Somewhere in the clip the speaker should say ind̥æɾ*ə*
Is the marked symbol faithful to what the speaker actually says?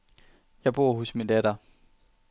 no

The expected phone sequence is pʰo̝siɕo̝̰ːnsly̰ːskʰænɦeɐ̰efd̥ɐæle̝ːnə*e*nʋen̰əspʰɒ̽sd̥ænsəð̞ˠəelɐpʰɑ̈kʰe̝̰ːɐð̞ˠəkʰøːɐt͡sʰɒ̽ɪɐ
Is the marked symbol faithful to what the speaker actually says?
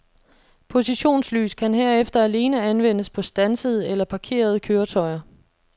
no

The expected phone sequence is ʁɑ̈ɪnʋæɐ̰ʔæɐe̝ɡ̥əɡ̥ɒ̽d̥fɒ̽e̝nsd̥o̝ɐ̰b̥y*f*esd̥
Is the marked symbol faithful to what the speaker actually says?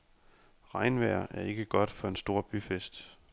yes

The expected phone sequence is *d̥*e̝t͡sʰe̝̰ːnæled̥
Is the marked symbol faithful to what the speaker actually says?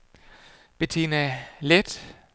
no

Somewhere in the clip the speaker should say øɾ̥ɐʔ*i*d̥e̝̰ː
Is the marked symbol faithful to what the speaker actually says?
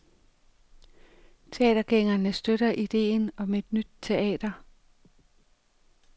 yes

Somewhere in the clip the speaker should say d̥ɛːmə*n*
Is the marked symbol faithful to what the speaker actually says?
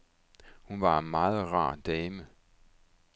no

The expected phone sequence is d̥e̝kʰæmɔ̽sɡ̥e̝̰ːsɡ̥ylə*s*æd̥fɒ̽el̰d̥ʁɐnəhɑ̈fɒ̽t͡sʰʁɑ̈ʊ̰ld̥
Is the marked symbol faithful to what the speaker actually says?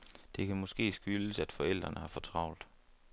yes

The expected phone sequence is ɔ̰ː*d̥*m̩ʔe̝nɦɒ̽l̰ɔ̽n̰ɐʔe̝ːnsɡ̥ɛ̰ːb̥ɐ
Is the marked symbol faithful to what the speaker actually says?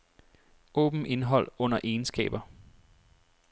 no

